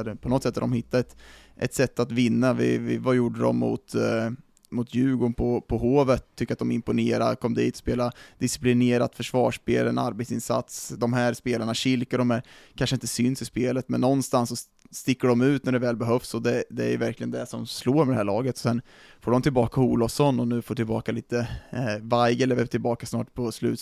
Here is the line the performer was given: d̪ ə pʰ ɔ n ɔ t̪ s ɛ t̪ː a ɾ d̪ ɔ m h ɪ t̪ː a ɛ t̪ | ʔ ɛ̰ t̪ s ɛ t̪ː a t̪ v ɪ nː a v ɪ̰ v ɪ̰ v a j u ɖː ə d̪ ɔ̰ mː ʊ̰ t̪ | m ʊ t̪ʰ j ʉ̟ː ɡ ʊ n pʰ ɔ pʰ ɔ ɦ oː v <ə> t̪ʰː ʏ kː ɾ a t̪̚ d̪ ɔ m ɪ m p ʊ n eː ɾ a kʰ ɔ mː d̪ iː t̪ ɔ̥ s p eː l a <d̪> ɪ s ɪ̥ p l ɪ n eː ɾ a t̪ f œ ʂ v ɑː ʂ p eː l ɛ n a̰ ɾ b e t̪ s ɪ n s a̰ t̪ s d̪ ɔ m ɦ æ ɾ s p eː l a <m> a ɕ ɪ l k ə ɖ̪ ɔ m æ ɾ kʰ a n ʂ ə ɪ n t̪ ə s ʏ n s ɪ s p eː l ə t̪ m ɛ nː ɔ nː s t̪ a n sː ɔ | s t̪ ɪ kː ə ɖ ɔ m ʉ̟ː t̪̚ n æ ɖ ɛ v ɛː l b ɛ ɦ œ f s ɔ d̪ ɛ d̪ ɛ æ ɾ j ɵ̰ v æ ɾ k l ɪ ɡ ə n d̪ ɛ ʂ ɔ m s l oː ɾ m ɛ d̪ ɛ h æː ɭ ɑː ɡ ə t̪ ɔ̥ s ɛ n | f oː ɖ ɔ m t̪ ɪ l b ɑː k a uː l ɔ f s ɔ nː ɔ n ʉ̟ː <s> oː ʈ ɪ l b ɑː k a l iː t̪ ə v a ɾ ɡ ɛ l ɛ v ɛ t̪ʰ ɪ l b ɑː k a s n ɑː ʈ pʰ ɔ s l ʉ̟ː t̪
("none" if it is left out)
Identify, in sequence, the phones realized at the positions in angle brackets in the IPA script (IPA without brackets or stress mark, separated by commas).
ə, d̪, ɳ, f